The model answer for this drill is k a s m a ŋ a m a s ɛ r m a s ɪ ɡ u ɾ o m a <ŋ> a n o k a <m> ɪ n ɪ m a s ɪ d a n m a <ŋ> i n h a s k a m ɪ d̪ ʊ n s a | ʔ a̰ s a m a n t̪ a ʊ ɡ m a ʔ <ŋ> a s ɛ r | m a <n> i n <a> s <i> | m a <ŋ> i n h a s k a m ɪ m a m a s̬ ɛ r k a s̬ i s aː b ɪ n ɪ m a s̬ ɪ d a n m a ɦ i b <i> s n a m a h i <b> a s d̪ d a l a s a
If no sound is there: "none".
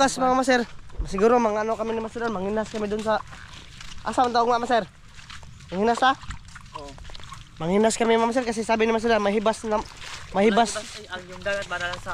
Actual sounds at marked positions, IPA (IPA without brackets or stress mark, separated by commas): ŋ, m, ŋ, m, ŋ, a, a, ŋ, a, b